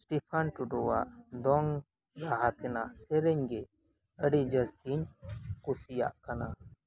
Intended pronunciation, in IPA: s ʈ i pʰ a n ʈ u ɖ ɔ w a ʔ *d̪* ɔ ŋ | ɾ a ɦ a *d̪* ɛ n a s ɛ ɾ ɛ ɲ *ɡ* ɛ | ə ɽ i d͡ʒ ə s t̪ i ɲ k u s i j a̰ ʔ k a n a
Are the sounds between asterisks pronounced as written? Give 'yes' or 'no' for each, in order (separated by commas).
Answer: yes, no, yes